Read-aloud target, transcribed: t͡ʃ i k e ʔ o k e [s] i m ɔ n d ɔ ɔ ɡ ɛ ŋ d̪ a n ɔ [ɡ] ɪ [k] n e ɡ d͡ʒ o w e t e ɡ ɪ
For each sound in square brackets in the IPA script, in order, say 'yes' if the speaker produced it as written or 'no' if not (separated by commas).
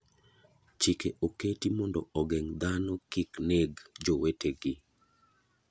no, no, yes